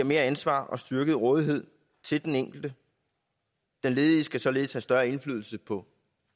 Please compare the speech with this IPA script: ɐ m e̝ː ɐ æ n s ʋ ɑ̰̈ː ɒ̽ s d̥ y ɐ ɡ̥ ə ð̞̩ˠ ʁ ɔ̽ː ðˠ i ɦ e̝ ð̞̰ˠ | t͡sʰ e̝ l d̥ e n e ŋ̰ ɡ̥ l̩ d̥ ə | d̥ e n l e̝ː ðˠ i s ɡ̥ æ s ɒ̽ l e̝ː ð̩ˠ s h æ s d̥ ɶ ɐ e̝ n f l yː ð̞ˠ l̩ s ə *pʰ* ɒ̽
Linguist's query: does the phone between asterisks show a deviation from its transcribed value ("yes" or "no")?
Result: no